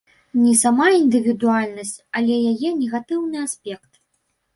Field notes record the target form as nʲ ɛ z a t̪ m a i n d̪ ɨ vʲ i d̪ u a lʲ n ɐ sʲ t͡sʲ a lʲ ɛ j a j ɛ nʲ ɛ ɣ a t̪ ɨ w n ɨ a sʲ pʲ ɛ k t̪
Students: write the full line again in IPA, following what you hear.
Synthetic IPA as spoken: nʲ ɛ s a m a i n d̪ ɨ vʲ i d̪ u a lʲ n ɐ sʲ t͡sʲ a lʲ ɛ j a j ɛ nʲ ɛ ɣ a t̪ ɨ w n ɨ a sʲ pʲ ɛ k t̪